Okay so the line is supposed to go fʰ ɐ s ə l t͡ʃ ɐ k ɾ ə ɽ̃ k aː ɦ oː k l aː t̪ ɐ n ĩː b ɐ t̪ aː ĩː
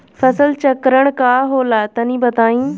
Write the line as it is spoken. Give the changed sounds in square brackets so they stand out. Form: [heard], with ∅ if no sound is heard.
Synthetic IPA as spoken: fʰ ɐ s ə l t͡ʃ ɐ k ɾ ə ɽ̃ k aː ɦ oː [∅] l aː t̪ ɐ n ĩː b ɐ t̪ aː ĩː